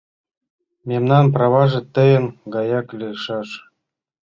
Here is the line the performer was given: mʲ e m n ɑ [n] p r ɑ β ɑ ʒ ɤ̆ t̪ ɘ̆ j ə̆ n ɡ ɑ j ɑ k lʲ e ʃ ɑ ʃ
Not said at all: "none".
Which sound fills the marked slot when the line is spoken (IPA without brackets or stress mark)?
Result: n